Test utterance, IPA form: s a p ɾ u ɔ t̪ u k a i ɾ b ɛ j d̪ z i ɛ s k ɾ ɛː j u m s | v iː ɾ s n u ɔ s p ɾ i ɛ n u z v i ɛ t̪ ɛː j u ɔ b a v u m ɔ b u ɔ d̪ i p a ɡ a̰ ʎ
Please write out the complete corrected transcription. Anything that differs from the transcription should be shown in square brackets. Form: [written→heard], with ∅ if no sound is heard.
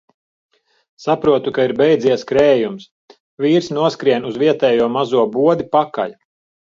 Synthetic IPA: s a p ɾ u ɔ t̪ u k a i ɾ b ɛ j d̪ z i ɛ s k ɾ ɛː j u m s | v iː ɾ s n u ɔ s [p→k] ɾ i ɛ n u z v i ɛ t̪ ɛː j u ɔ [b→m] a [v→z] u [m→∅] ɔ b u ɔ d̪ i p a [ɡ→k] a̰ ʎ